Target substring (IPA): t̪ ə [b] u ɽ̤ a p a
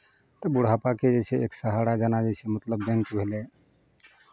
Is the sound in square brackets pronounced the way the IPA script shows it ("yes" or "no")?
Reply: yes